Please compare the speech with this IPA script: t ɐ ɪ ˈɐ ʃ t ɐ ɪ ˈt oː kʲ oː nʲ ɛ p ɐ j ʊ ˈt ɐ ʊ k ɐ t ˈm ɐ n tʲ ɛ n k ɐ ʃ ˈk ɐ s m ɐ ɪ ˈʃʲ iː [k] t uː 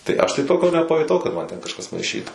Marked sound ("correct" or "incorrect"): incorrect